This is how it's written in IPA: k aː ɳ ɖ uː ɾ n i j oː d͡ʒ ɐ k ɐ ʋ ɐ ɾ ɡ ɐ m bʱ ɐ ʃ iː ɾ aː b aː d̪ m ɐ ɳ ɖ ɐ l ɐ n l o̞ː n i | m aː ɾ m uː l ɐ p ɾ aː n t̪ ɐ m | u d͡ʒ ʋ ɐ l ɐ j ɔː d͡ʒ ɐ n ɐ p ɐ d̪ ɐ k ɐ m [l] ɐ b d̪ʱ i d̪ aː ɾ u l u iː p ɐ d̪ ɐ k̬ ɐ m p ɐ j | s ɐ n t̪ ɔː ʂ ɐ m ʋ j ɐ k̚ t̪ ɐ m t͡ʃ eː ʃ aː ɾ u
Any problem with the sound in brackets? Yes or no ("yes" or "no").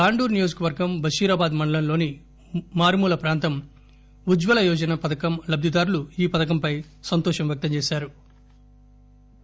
no